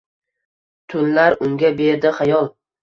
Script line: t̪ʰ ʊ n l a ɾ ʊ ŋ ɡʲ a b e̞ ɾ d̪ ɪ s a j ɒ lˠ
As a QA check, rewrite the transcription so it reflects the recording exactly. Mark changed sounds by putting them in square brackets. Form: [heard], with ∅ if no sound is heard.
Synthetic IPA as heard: t̪ʰ ʊ n l a ɾ ʊ ŋ ɡʲ a b e̞ ɾ d̪ ɪ [χ] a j ɒ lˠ